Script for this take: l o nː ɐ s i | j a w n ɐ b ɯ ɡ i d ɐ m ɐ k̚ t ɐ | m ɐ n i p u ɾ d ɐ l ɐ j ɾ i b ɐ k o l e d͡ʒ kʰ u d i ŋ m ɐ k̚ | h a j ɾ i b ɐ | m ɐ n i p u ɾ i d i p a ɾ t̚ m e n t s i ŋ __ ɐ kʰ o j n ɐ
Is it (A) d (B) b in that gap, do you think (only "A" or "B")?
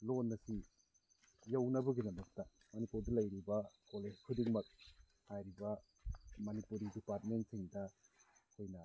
A